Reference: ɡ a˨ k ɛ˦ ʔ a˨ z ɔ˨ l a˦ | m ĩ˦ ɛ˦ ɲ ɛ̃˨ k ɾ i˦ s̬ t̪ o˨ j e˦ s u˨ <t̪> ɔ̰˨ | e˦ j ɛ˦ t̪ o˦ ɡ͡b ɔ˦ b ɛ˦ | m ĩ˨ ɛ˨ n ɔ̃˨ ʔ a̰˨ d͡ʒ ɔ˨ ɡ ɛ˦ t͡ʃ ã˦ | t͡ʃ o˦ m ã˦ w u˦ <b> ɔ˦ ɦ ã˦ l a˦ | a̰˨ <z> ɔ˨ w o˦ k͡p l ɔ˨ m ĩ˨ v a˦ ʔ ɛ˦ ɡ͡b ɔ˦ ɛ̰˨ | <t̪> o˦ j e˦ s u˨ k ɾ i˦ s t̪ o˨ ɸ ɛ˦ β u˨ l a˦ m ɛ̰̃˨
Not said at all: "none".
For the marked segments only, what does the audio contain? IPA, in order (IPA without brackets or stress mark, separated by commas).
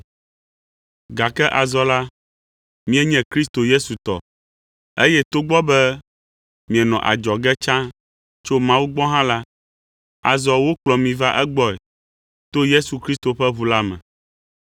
t̪, ɡ͡b, z, t̪